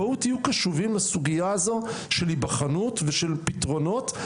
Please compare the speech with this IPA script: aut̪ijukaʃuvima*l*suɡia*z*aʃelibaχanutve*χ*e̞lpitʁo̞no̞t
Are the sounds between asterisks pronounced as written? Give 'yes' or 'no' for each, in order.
no, yes, no

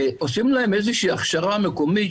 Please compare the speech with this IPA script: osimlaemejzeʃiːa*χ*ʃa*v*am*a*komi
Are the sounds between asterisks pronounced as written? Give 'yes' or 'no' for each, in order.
yes, no, no

